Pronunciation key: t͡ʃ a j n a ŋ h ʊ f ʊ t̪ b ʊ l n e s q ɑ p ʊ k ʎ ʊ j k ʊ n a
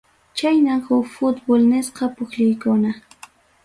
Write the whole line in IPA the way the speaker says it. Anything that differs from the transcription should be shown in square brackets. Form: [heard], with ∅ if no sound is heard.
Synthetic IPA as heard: t͡ʃ a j n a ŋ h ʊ f ʊ t̪ b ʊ l n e s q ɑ p ʊ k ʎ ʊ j k ʊ n a

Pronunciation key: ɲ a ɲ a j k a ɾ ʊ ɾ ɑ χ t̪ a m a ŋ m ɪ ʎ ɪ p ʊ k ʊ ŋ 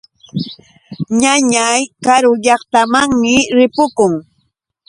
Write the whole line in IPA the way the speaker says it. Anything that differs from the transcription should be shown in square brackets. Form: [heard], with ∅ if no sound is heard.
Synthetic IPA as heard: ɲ a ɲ a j k a ɾ ʊ [ʎ] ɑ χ t̪ a m a ŋ m ɪ [ɾ] ɪ p ʊ k ʊ ŋ

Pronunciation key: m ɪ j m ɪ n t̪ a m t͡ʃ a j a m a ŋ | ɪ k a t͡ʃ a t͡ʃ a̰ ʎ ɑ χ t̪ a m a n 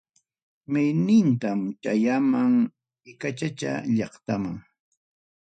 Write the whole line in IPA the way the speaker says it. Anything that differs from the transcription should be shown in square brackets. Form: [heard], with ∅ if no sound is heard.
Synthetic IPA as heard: m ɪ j [n] ɪ n t̪ a m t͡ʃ a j a m a ŋ | ɪ k a t͡ʃ a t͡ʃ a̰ ʎ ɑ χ t̪ a m a [ŋ]

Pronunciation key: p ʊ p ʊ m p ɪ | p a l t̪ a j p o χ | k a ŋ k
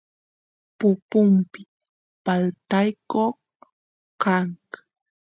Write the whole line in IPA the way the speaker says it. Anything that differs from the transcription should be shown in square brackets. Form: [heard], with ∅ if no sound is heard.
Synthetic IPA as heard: p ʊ p ʊ m p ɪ | p a l t̪ a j [k] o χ | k a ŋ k

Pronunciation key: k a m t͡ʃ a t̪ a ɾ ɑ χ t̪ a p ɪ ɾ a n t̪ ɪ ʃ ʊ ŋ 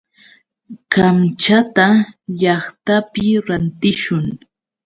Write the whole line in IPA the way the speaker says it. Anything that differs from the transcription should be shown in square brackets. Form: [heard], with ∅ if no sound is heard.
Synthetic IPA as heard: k a m t͡ʃ a t̪ a [ʎ] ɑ χ t̪ a p ɪ ɾ a n t̪ ɪ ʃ ʊ ŋ

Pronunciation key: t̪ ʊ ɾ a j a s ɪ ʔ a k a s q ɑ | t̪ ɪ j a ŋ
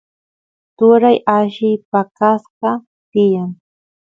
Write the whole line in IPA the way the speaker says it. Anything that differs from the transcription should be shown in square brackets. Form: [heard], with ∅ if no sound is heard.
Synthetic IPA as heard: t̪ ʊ ɾ a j a [ʃ] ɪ [p] a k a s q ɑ | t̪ ɪ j a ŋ

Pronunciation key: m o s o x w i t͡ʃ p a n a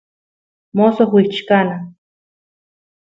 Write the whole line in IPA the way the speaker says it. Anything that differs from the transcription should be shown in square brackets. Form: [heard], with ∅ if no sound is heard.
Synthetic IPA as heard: m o s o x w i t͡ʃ [k] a n a

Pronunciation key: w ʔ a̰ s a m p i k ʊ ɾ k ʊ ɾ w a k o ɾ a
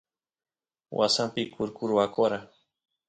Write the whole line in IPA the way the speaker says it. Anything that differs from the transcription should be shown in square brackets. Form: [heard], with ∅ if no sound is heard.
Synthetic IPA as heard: w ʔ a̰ s a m p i k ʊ ɾ k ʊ ɾ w a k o ɾ a

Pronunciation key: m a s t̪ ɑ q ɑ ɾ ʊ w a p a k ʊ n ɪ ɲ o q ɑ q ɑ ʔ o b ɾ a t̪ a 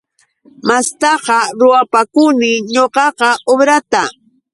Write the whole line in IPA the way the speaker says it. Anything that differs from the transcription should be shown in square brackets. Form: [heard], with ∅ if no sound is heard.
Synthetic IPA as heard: m a s t̪ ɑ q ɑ ɾ ʊ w a p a k ʊ n ɪ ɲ o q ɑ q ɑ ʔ o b ɾ a t̪ a

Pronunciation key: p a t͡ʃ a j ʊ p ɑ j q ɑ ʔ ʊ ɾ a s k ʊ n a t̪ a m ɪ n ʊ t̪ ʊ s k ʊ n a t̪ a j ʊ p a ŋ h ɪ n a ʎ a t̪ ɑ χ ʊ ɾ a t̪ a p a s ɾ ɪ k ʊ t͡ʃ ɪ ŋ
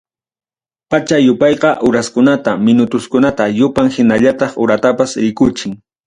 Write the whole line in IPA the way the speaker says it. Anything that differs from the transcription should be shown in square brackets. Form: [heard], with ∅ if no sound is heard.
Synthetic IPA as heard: p a t͡ʃ a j ʊ p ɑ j q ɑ ʔ ʊ ɾ a s k ʊ n a t̪ a m ɪ n ʊ t̪ ʊ s k ʊ n a t̪ a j ʊ p a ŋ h ɪ n a ʎ a t̪ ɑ χ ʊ ɾ a t̪ a p a s ɾ ɪ k ʊ t͡ʃ ɪ ŋ

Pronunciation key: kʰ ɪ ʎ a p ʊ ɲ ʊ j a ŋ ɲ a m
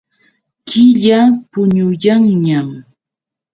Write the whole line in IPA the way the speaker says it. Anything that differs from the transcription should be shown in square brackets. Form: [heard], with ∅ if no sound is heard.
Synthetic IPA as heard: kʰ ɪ ʎ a p ʊ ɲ ʊ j a ŋ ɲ a m

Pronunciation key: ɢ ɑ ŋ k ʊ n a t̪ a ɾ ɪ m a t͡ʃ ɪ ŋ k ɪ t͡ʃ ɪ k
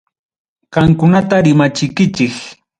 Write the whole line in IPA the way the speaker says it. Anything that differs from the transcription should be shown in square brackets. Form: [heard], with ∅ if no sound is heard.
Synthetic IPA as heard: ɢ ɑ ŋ k ʊ n a t̪ a ɾ ɪ m a t͡ʃ ɪ [∅] k ɪ t͡ʃ ɪ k

